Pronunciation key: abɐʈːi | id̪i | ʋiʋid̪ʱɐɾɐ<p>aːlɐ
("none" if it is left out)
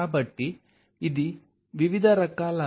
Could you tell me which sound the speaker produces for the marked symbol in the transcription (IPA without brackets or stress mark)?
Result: k